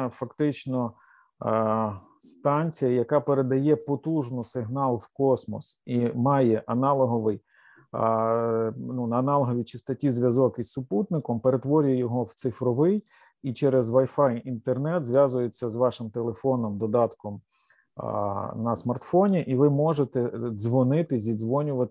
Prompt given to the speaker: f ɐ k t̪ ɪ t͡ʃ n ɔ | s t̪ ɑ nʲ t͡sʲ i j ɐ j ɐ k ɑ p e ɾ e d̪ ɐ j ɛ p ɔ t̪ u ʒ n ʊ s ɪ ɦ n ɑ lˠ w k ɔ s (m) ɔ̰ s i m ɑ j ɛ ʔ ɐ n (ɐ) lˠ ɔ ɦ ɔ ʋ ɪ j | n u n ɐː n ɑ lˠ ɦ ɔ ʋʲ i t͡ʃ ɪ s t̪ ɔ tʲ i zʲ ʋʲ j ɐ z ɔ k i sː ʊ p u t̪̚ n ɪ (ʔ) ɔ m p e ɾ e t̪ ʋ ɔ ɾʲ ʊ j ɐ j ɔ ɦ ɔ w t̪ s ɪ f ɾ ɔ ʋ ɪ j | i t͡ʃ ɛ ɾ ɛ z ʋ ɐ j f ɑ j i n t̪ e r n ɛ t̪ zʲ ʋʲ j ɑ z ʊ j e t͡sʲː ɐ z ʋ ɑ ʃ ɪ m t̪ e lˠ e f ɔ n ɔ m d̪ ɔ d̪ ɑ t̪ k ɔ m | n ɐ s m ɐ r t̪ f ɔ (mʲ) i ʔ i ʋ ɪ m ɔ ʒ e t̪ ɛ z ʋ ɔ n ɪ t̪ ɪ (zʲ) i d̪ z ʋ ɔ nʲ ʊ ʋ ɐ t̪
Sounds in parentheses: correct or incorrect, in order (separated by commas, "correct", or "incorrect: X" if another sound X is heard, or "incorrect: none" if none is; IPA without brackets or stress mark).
correct, incorrect: ɑ, incorrect: k, incorrect: nʲ, correct